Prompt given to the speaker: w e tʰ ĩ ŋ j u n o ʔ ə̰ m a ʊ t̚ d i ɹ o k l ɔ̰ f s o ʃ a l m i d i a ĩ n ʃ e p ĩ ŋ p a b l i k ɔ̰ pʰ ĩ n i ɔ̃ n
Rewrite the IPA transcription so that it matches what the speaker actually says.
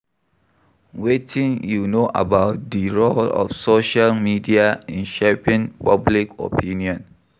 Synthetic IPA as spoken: w e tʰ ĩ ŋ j u n o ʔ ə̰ b a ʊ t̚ d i ɹ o l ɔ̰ f s o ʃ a l m i d i a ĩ n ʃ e p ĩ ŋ p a b l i k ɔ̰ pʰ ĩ n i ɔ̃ n